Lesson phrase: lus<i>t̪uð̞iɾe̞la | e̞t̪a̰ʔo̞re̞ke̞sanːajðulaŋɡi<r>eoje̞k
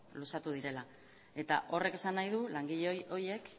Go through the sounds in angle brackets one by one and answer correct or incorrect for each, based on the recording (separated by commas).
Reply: incorrect, incorrect